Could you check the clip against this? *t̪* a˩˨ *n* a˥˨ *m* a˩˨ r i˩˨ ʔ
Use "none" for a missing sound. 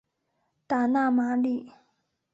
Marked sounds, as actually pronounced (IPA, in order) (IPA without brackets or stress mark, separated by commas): t̪, n, m